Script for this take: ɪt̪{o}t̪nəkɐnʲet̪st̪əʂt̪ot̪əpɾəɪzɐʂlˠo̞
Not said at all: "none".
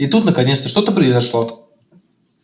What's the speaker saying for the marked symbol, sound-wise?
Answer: u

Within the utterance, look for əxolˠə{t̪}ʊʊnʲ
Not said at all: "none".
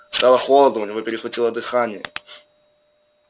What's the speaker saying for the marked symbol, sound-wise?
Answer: d̪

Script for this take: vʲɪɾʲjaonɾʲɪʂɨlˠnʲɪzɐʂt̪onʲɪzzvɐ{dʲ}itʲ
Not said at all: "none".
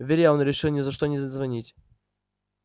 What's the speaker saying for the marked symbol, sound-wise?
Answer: nʲ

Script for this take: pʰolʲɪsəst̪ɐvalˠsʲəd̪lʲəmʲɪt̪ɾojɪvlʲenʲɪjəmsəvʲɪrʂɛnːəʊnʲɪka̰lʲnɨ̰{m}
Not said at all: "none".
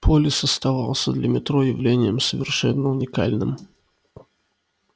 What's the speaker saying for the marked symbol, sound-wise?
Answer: m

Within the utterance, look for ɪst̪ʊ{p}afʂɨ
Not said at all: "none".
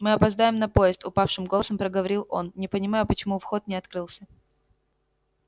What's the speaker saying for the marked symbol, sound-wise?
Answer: p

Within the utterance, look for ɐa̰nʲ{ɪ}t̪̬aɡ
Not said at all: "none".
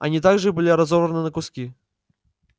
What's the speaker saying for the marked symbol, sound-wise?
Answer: i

